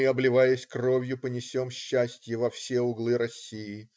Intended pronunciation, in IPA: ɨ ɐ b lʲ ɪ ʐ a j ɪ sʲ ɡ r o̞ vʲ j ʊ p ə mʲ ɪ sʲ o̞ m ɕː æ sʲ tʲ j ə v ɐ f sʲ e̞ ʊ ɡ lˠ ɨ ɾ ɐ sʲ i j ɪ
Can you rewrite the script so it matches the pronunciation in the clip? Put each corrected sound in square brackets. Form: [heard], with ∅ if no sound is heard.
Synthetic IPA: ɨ ɐ b lʲ ɪ [v] a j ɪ sʲ [k] r o̞ vʲ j ʊ p ə [nʲ] ɪ sʲ o̞ m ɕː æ sʲ tʲ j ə v ɐ f sʲ e̞ ʊ ɡ lˠ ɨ ɾ ɐ sʲ i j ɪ